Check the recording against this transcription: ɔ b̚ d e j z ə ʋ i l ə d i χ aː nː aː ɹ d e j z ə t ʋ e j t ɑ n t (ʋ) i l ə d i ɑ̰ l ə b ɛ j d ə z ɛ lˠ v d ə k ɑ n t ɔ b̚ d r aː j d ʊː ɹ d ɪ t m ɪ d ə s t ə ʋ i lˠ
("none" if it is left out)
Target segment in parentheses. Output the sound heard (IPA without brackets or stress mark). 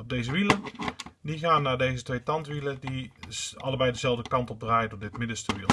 ʋ